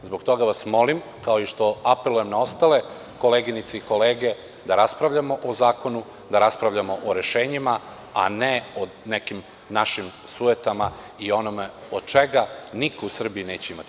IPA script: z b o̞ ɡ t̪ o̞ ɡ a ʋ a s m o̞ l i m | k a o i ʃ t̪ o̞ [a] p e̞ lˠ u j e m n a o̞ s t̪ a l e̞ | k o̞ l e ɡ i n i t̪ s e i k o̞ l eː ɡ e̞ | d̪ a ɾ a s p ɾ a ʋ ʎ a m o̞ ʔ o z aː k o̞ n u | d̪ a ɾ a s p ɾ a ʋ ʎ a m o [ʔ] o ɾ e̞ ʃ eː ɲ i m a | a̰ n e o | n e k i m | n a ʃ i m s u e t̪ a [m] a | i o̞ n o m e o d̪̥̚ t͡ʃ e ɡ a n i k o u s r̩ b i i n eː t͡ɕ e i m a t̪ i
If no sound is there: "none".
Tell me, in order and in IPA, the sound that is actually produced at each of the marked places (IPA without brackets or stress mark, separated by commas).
a, ʔ, m